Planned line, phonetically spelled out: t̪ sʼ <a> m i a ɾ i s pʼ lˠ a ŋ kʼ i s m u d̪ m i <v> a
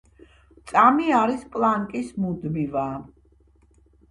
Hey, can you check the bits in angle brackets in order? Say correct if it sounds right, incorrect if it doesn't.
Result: correct, correct

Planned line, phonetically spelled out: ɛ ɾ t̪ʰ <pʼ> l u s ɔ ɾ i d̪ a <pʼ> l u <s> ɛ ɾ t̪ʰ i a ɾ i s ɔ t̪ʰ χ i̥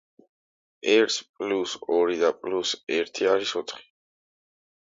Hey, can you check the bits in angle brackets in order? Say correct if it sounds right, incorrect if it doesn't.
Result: correct, correct, correct

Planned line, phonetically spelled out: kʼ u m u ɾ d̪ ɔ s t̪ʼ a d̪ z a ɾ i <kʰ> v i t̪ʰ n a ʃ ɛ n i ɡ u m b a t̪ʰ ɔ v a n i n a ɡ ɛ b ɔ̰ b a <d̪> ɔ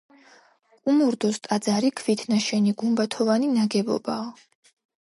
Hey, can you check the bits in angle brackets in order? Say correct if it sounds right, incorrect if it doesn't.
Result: correct, incorrect: none

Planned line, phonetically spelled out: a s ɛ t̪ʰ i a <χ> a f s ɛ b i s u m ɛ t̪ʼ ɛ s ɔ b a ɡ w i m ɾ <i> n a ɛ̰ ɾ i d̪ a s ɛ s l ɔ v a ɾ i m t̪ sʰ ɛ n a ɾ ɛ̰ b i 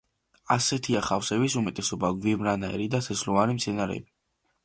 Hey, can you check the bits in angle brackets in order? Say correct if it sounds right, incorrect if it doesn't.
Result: correct, incorrect: a

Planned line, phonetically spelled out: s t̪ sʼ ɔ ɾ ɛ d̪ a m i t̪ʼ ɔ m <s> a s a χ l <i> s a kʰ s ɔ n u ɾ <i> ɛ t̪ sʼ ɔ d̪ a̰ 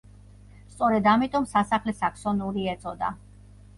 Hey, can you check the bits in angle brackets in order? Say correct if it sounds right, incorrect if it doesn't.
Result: correct, incorrect: ɛ, correct

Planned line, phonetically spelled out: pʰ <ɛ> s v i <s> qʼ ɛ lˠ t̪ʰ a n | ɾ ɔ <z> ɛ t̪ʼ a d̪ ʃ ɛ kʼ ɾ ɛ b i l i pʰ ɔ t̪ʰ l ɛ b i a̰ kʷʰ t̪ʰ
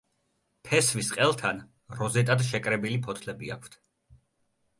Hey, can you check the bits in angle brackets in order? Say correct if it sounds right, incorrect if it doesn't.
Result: correct, correct, correct

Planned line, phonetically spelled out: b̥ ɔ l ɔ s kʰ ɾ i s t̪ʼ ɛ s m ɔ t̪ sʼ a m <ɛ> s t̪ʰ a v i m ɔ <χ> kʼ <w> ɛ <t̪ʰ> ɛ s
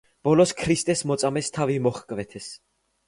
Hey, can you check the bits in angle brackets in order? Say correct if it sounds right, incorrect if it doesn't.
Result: correct, correct, incorrect: v, correct

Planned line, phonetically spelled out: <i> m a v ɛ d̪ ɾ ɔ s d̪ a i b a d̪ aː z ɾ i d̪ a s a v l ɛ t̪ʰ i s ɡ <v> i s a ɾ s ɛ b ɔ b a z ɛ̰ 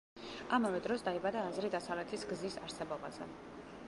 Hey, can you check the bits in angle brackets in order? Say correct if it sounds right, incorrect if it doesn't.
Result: incorrect: a, incorrect: z

